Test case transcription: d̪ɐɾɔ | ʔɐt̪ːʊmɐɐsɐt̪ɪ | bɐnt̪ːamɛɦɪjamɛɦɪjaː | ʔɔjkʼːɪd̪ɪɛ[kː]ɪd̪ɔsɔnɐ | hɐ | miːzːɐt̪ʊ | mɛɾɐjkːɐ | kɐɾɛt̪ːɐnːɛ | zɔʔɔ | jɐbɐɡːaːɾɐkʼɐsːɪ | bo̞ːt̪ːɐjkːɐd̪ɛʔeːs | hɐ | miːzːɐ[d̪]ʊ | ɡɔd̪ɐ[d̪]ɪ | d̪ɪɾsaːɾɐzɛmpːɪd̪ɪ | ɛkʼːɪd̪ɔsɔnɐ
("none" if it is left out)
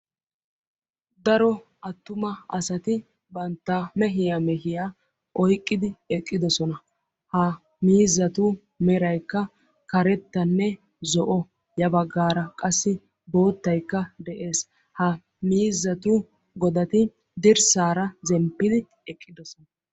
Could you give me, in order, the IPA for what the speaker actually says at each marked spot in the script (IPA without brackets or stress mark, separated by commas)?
kʼː, t̪, t̪